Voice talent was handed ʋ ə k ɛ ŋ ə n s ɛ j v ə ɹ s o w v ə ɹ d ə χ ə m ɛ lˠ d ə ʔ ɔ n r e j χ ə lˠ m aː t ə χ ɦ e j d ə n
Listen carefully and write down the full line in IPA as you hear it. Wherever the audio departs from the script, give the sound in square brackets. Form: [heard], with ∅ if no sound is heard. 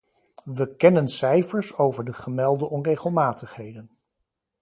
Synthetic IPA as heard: ʋ ə k ɛ [n] ə n s ɛ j [f] ə ɹ s o w v ə ɹ d ə χ ə m ɛ lˠ d ə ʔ ɔ n r e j χ ə lˠ m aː t ə χ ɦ e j d ə n